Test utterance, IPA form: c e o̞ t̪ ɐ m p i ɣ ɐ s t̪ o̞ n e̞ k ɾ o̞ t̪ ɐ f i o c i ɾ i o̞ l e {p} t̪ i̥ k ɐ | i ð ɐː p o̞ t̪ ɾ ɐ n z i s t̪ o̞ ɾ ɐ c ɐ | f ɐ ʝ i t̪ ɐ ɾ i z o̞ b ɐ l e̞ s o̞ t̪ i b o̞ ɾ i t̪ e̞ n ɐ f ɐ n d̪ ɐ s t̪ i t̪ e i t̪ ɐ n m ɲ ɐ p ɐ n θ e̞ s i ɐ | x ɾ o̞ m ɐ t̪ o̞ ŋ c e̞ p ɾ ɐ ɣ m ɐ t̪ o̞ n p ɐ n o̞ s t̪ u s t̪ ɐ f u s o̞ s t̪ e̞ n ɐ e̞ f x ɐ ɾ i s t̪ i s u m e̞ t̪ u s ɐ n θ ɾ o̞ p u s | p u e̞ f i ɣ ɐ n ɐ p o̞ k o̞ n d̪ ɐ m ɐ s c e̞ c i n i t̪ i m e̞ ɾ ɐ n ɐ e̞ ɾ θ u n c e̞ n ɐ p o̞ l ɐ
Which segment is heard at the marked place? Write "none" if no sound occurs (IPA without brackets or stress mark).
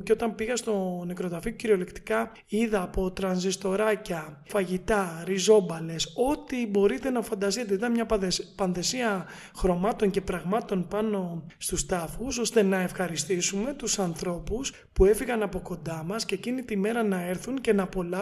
k